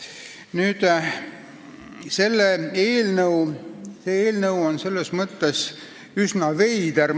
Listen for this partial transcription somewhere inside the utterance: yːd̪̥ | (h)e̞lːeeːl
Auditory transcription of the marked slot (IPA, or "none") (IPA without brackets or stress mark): s